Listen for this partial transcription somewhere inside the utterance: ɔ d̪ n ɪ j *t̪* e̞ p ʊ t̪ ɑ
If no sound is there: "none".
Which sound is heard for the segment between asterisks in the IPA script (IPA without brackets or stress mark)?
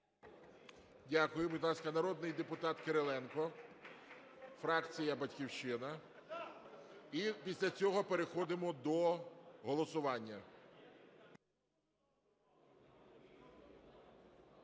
d̪